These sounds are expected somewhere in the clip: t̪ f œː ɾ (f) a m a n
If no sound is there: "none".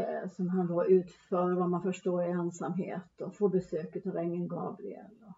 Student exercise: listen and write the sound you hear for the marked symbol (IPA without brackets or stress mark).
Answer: v